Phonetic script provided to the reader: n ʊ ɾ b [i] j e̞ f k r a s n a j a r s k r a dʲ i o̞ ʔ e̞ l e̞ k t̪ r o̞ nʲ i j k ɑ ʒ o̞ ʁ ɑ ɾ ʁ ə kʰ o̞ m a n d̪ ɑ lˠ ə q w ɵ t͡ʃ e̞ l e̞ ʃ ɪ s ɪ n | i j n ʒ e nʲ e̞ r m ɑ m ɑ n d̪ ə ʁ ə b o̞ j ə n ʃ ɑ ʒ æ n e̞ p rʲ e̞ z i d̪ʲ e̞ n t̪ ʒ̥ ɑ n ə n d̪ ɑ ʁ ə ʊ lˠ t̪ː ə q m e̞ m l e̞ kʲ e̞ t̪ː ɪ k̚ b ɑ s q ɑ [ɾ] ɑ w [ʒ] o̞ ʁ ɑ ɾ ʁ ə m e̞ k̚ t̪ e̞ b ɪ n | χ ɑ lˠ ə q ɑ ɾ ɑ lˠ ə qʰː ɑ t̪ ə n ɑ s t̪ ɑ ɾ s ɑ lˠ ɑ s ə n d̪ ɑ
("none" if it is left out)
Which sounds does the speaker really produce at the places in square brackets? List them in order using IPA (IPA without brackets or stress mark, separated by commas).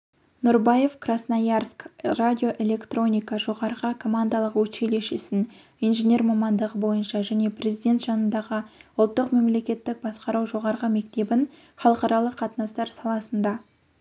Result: a, ɾ, ʒ